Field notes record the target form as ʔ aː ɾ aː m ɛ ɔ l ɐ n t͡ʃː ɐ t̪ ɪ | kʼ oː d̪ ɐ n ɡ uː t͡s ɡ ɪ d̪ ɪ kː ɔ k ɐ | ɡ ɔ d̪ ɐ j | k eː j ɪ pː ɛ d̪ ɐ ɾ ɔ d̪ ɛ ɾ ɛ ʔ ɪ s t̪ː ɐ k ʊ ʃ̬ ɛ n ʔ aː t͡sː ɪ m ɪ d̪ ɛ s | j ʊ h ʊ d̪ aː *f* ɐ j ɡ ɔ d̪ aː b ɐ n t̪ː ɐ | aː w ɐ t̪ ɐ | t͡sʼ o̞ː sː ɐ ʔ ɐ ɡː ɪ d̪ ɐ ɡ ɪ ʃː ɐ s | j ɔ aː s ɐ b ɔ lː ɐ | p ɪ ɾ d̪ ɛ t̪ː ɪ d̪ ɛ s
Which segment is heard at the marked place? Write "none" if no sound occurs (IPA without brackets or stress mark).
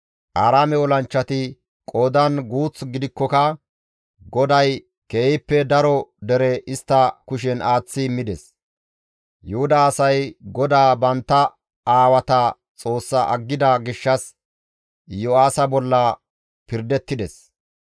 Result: s